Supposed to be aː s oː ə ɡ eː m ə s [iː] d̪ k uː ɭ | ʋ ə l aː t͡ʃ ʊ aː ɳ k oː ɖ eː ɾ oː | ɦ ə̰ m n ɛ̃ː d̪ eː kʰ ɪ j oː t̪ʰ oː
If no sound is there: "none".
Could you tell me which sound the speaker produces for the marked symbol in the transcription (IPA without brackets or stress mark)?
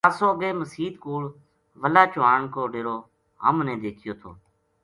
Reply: iː